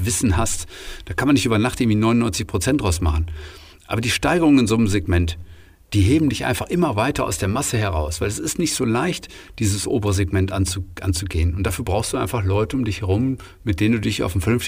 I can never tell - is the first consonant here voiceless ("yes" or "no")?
no